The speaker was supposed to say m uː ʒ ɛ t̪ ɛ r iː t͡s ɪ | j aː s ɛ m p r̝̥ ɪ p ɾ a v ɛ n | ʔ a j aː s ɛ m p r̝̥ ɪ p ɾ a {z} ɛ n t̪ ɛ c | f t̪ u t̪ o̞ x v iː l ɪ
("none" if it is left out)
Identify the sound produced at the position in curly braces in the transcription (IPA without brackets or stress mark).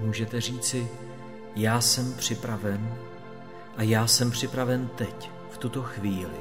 v